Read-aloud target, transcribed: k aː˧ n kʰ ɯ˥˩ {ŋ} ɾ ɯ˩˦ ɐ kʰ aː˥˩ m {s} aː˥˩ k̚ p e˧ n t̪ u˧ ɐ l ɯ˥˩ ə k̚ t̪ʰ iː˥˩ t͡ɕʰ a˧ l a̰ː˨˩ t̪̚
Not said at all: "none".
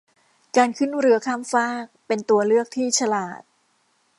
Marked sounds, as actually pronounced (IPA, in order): n, f

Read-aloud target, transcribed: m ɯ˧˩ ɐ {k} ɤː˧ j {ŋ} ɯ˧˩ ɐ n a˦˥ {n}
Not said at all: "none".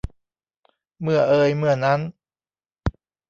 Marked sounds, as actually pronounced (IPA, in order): ʔ, m, n

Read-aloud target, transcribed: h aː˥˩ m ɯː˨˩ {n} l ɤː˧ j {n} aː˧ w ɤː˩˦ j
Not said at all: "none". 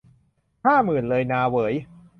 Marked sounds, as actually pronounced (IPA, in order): n, n

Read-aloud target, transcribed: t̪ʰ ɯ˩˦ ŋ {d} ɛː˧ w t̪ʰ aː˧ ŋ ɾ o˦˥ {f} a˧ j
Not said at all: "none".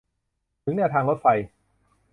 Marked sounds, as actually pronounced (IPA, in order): n, f

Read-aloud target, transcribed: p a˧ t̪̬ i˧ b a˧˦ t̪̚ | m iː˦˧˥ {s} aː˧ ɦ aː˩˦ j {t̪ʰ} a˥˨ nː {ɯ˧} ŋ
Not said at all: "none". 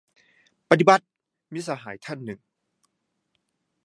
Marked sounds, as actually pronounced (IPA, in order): s, t̪ʰ, ɯ˨˩

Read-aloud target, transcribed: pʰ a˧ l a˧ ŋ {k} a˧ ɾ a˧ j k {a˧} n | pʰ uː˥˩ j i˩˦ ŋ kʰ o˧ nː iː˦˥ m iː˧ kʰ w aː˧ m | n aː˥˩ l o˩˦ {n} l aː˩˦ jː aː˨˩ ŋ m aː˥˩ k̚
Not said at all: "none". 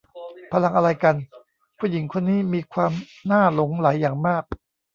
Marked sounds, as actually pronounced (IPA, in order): ʔ, a˧, ŋ

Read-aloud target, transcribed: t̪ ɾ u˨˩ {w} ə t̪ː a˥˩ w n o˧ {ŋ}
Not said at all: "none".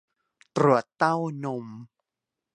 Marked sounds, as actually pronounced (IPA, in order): none, m

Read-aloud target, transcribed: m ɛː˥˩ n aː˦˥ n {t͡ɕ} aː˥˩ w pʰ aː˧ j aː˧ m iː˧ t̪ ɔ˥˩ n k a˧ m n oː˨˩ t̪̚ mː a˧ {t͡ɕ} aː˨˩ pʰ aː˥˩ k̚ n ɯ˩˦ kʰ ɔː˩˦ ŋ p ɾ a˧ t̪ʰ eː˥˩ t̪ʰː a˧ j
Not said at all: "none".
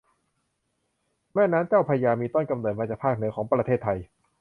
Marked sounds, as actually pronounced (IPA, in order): t͡ɕ, t͡ɕ

